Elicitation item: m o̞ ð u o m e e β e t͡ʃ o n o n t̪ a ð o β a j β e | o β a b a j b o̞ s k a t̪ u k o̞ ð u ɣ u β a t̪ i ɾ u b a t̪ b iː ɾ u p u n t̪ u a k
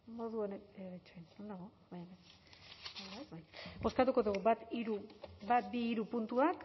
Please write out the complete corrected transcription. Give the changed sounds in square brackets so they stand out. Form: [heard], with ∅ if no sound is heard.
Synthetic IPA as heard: m o̞ ð u o [n] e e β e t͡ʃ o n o n [d̪] a [ɣ] o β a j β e | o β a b a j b o̞ s k a t̪ u k o̞ ð u ɣ u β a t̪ i ɾ u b a t̪ b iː ɾ u p u n t̪ u a k